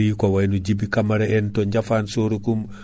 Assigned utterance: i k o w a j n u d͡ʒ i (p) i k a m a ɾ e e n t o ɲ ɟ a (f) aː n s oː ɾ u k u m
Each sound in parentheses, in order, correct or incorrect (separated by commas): incorrect, correct